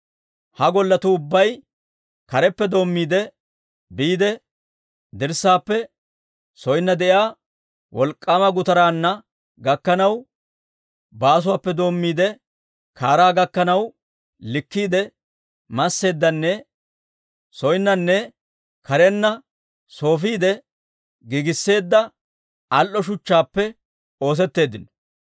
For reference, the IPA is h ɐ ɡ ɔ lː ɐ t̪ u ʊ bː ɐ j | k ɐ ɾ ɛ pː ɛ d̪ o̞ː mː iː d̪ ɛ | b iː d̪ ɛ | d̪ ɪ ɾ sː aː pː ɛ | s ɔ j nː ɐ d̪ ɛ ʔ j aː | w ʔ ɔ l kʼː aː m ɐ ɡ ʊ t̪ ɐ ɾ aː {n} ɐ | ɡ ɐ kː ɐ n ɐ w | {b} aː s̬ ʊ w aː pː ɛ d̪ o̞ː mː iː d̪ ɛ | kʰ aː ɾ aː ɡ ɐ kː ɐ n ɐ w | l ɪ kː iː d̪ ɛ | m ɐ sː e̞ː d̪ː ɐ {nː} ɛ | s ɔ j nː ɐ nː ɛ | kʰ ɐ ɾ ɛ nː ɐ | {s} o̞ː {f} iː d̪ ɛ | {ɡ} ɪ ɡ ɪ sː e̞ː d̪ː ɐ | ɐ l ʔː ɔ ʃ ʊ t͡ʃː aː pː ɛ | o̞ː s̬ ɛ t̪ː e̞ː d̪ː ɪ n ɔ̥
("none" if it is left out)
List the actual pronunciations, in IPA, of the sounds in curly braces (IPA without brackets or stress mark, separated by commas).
nː, b, nː, s, f, ɡ